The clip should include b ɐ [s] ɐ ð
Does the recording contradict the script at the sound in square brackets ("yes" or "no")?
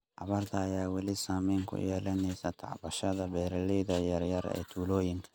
yes